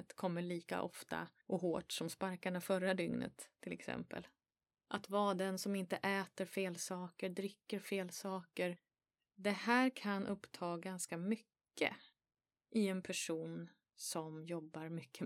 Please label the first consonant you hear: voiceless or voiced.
voiceless